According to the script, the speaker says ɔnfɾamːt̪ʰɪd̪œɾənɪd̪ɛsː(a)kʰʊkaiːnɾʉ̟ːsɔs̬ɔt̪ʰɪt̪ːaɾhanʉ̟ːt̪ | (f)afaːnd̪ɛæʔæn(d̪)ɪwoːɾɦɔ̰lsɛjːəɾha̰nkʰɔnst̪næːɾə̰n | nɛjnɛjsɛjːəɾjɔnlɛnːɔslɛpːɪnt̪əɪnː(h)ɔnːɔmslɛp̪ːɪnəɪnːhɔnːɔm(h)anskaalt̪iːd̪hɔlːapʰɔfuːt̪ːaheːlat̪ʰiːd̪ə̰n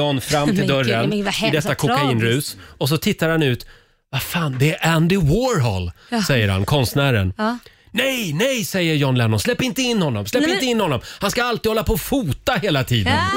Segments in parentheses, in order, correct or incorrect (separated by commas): correct, incorrect, correct, correct, correct